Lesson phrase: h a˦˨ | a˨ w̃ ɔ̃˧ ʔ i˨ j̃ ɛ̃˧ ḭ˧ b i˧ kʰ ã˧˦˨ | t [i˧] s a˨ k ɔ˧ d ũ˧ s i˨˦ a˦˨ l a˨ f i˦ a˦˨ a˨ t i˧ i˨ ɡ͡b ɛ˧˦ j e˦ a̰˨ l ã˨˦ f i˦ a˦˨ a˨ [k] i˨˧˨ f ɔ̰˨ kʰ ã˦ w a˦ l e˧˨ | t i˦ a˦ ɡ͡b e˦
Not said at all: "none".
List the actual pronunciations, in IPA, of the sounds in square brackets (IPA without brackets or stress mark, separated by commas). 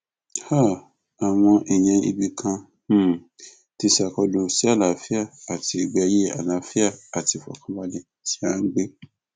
i˧, t